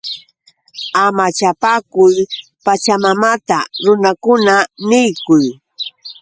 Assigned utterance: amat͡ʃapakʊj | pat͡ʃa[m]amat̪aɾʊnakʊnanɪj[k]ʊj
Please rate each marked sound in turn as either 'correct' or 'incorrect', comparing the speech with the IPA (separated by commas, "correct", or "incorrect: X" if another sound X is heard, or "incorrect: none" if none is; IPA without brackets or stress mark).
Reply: correct, correct